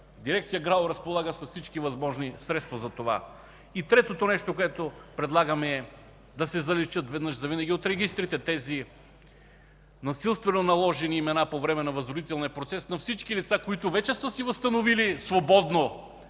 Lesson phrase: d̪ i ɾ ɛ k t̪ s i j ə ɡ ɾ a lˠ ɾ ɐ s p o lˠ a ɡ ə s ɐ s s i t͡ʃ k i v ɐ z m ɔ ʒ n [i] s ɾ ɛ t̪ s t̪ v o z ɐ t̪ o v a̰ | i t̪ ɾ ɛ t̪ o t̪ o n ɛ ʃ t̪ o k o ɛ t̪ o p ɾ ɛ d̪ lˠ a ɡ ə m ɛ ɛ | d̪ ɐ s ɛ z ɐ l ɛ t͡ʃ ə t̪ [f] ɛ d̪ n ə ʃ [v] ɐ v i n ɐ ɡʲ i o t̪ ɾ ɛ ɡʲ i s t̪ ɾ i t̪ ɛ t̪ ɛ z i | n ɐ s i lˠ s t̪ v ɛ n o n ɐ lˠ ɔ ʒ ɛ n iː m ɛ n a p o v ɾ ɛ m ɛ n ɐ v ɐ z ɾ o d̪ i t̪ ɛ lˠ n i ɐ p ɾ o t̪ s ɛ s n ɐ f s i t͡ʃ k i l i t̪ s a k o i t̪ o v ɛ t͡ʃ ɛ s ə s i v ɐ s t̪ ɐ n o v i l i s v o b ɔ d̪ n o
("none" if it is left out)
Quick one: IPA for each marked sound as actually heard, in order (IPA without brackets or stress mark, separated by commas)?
i, v, z